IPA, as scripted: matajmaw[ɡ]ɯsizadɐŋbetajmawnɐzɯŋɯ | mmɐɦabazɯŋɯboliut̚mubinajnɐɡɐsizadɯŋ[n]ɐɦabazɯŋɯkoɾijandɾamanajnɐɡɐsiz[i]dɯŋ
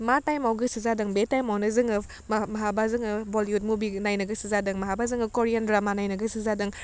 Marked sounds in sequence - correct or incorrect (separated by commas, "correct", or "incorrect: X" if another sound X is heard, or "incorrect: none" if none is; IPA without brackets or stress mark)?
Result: correct, incorrect: m, incorrect: a